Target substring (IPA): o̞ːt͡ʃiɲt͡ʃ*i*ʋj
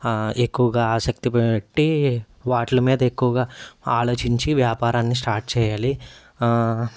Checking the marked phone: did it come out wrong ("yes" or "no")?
no